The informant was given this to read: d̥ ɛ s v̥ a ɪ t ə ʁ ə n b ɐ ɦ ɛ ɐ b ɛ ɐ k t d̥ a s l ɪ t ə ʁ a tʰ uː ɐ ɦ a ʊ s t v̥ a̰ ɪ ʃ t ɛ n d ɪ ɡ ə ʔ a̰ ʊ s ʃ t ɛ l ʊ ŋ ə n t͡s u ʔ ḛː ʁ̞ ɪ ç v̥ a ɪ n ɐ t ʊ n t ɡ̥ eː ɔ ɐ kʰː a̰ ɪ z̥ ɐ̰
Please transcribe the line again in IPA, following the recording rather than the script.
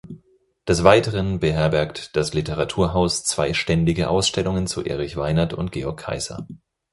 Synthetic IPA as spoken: d̥ ɛ s v̥ a ɪ t ə ʁ ə n b ə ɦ ɛ ɐ b ɛ ɐ k t d̥ a s l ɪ t ə ʁ a tʰ uː ɐ ɦ a ʊ s t͡s v̥ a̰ ɪ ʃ t ɛ n d ɪ ɡ ə ʔ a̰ ʊ s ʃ t ɛ l ʊ ŋ ə n t͡s u ʔ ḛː ʁ̞ ɪ ç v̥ a ɪ n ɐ t ʊ n t ɡ̥ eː ɔ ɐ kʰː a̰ ɪ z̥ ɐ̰